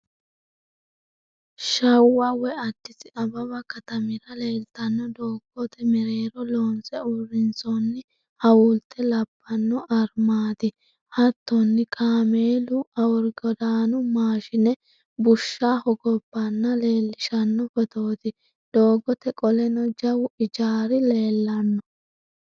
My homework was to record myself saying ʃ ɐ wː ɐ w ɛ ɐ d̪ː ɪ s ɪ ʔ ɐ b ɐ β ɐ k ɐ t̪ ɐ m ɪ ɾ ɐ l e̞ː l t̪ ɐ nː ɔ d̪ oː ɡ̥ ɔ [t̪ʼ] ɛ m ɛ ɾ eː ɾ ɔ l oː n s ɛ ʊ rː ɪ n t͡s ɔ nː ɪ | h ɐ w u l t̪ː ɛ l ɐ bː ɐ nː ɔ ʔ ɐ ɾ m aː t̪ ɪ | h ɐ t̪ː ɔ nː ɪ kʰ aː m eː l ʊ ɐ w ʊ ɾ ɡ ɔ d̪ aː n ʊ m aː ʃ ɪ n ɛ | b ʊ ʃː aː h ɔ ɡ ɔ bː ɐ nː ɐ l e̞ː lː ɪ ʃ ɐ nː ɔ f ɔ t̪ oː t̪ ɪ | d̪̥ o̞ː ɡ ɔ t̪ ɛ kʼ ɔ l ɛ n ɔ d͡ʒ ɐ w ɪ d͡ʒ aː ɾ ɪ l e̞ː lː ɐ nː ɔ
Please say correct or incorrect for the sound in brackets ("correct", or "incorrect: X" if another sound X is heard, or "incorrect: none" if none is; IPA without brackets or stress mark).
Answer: incorrect: t̪